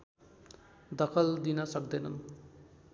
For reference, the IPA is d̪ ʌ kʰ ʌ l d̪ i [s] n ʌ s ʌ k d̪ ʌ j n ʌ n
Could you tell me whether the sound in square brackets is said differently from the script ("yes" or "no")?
yes